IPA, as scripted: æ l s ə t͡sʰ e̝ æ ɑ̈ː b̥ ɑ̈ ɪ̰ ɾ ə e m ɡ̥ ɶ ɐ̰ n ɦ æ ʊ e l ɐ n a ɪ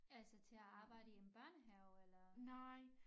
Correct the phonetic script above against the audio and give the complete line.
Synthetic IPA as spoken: æ l s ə t͡sʰ e̝ æ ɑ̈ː b̥ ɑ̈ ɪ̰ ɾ ə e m b̥ ɶ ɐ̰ n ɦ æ ʊ e l ɐ n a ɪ